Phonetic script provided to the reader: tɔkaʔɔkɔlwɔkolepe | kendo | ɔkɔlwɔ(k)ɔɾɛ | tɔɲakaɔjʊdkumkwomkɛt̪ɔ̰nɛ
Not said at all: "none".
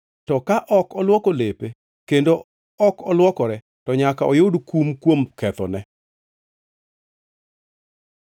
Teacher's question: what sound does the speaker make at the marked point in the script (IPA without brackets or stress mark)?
k